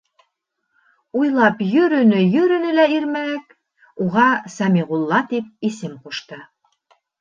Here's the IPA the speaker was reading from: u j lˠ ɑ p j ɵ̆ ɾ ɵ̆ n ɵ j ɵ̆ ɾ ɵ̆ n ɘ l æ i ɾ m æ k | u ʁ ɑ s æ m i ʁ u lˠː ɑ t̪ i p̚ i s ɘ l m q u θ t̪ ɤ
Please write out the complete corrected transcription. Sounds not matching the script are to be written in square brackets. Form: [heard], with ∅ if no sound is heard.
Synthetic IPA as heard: u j lˠ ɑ p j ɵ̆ ɾ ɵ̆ n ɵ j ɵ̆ ɾ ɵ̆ n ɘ l æ i ɾ m æ k | u ʁ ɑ s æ m i ʁ u lˠː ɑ t̪ i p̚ i s ɘ [∅] m q u [ʃ] t̪ ɤ